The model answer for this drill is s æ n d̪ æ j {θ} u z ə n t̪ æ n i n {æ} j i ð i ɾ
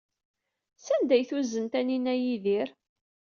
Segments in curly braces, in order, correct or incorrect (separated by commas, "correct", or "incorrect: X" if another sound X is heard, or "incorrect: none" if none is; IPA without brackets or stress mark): correct, correct